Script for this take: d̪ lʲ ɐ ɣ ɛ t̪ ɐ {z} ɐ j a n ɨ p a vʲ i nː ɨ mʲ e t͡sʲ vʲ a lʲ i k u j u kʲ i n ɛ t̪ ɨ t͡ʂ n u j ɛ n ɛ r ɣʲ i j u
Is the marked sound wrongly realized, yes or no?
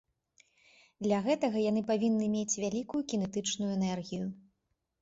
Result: yes